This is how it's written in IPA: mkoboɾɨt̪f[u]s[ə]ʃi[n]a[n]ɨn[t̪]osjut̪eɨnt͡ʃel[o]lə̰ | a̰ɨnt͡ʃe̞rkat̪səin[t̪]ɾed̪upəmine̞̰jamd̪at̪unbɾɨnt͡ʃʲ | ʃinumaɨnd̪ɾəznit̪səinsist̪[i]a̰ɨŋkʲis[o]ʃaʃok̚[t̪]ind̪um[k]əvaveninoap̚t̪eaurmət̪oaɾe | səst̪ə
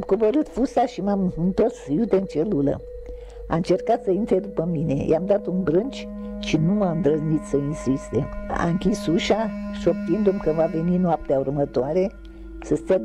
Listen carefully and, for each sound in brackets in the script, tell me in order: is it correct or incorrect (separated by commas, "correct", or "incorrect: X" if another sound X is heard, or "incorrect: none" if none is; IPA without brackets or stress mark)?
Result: correct, incorrect: a, incorrect: m, incorrect: m, correct, incorrect: u, correct, incorrect: e, incorrect: u, correct, correct